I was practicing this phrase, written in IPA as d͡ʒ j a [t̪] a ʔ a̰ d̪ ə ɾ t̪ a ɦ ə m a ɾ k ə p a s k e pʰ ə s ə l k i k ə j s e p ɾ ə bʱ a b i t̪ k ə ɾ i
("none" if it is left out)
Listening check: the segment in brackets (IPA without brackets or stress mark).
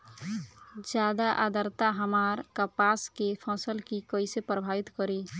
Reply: d̪